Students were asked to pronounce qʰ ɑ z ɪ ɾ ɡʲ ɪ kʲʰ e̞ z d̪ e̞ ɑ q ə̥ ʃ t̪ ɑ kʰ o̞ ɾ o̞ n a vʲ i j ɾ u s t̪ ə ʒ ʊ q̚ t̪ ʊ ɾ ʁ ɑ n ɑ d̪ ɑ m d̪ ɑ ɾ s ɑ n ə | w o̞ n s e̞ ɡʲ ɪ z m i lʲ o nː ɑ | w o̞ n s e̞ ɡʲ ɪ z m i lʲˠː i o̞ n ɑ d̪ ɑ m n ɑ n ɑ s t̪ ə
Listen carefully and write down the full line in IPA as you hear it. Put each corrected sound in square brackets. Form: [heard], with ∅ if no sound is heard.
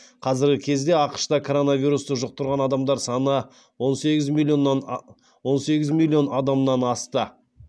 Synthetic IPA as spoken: qʰ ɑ z ɪ ɾ ɡʲ ɪ kʲʰ e̞ z d̪ e̞ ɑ q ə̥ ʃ t̪ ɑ kʰ o̞ ɾ o̞ n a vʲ i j ɾ u s t̪ ə ʒ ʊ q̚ t̪ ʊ ɾ ʁ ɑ n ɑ d̪ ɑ m d̪ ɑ ɾ s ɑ n ə | w o̞ n s e̞ ɡʲ ɪ z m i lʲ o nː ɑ | w o̞ n s e̞ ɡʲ ɪ z m i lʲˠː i o̞ n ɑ d̪ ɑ m n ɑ n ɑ s t̪ ə